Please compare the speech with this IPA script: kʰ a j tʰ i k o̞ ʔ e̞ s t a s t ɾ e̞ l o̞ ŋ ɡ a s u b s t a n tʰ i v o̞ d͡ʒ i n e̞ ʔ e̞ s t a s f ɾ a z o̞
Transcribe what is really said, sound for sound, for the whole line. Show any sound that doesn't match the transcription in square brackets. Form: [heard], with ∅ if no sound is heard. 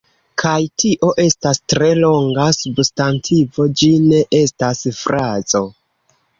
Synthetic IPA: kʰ a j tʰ i [ʔ] o̞ ʔ e̞ s t a s t ɾ e̞ l o̞ ŋ ɡ a s u b s t a n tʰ i v o̞ d͡ʒ i n e̞ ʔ e̞ s t a s f ɾ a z o̞